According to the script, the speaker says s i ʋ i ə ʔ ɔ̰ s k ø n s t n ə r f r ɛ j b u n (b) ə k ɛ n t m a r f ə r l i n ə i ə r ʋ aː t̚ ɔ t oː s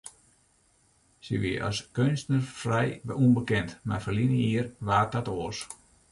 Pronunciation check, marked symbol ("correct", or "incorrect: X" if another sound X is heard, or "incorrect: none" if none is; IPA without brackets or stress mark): correct